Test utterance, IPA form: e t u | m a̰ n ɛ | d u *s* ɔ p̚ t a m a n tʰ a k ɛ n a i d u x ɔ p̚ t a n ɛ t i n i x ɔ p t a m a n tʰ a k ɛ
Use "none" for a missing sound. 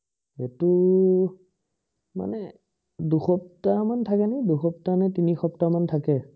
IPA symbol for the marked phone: x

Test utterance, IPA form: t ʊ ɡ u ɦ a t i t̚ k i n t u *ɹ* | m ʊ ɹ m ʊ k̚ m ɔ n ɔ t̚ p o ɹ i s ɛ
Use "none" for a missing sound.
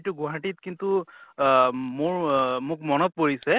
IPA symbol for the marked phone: none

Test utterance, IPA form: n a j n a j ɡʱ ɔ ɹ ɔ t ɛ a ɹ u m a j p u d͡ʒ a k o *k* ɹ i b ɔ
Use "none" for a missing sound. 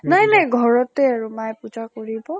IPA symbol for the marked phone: none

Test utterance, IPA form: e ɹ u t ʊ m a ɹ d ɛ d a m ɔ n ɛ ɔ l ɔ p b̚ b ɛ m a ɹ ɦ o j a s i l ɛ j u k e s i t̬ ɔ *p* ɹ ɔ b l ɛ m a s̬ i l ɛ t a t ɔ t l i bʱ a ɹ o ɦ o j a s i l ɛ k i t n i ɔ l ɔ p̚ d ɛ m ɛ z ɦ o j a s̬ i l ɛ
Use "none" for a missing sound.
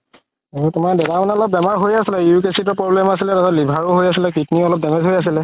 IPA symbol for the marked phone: p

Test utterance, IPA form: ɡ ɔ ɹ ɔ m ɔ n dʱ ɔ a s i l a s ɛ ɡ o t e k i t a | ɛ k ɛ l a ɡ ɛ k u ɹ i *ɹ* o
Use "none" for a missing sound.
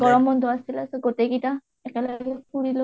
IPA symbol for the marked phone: l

